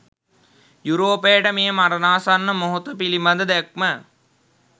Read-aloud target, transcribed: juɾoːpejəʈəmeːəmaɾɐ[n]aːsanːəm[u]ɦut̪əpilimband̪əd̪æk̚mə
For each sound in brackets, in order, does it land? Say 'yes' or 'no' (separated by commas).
yes, no